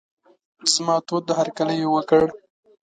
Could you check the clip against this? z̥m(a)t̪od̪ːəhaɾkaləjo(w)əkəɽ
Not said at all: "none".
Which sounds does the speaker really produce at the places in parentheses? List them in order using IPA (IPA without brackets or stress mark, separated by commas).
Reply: ɑ, w